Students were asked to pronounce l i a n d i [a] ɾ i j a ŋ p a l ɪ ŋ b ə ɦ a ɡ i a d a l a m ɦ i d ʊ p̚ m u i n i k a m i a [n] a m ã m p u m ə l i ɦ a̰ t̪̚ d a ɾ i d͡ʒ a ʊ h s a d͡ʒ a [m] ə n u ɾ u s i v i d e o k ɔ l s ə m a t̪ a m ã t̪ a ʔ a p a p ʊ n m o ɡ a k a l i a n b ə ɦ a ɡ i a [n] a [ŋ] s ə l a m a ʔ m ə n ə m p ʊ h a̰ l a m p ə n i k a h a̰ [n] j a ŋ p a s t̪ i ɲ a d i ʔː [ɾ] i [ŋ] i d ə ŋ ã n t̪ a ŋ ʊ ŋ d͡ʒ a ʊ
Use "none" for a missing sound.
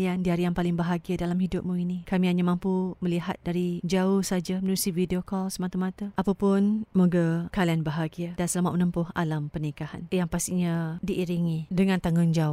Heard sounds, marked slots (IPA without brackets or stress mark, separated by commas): a, ɲ, m, d, n, n, ɾ, ŋ